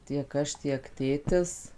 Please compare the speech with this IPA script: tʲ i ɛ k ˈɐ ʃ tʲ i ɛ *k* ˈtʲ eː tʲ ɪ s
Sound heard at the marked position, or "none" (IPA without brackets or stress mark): k